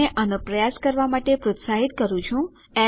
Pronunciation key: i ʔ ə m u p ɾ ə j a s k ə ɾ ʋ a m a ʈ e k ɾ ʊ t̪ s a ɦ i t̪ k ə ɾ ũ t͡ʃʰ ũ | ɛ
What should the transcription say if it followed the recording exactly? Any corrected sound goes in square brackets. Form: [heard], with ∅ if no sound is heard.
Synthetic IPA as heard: [e] ʔ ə [n] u p ɾ ə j a s k ə ɾ ʋ a m a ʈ e [p] ɾ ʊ t̪ s a ɦ i t̪ k ə ɾ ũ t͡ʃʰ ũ | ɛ